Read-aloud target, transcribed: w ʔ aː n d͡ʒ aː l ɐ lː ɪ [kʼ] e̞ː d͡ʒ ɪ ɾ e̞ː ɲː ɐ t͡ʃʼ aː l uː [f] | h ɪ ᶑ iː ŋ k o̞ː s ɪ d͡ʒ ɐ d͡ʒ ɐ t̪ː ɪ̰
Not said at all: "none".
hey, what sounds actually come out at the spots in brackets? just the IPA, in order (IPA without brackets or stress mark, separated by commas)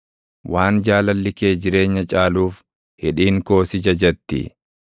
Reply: k, f